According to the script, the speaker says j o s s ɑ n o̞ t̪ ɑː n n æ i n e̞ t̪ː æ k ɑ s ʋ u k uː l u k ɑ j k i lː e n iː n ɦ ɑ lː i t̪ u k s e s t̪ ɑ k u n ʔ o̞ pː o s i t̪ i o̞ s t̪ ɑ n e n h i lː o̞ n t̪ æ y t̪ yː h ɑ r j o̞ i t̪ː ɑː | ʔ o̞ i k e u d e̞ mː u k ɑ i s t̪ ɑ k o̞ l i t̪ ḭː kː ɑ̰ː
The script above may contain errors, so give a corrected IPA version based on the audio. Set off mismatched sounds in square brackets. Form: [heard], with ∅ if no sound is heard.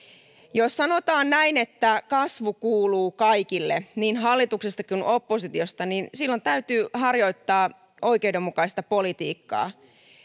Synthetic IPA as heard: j o s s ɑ n o̞ t̪ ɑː n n æ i n e̞ t̪ː æ k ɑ s ʋ u k uː l [uː] k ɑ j k i lː e n iː n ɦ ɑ lː i t̪ u k s e s t̪ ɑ k u n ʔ o̞ pː o s i t̪ i o̞ s t̪ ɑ n [i] n [s] i lː o̞ n t̪ æ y t̪ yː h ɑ r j o̞ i t̪ː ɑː | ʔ o̞ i k e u d e̞ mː u k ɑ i s t̪ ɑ [p] o̞ l i t̪ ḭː kː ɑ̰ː

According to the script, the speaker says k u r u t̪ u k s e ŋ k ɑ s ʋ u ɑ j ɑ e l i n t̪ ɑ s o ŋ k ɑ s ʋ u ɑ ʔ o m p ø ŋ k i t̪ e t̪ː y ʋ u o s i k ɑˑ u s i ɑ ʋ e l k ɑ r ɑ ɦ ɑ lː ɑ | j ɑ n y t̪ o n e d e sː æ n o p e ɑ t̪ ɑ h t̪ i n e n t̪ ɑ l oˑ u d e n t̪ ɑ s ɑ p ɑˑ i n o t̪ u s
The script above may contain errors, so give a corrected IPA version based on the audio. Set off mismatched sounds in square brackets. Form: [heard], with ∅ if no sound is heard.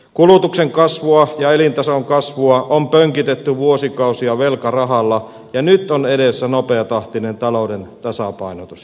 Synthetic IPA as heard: k u [l] u t̪ u k s e ŋ k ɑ s ʋ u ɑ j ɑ e l i n t̪ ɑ s o ŋ k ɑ s ʋ u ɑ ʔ o m p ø ŋ k i t̪ e t̪ː y ʋ u o s i k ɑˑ u s i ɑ ʋ e l k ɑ r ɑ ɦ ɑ lː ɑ | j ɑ n y t̪ o n e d e sː æ n o p e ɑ t̪ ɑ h t̪ i n e n t̪ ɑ l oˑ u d e n t̪ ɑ s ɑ p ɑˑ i n o t̪ u s

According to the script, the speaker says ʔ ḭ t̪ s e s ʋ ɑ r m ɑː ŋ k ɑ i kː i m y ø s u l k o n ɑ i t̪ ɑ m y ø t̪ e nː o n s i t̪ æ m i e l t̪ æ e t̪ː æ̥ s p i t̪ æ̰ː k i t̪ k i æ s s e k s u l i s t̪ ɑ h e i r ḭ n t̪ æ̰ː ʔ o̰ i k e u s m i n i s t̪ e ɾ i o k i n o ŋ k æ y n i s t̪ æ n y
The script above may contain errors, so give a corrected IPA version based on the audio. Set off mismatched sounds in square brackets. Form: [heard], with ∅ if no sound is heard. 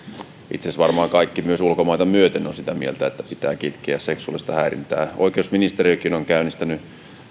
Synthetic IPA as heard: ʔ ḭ t̪ s e s ʋ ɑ r m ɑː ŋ k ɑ i kː i m y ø s u l k o [m] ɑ i t̪ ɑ m y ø t̪ e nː o n s i t̪ æ m i e l t̪ æ e t̪ː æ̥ [∅] p i t̪ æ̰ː k i t̪ k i æ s s e k s u l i s t̪ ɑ h [æ] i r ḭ n t̪ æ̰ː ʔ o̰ i k e u s m i n i s t̪ e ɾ i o k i n o ŋ k æ y n i s t̪ æ n y

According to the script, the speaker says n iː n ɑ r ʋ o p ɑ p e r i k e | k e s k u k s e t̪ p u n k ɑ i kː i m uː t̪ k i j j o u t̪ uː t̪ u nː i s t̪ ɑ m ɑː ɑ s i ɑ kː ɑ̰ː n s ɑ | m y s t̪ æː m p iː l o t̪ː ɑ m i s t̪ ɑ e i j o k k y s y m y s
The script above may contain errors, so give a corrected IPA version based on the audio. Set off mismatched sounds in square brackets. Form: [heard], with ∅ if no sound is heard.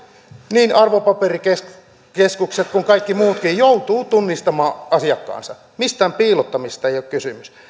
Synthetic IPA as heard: n iː n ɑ r ʋ o p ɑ p e r i k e | k e s k u k s e t̪ [k] u [ŋ] k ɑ i kː i m uː t̪ k i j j o u t̪ uː t̪ u nː i s t̪ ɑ m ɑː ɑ s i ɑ kː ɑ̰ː n s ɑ | m [i] s t̪ æː m p iː l o t̪ː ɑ m i s t̪ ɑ e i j o k k y s y m y s

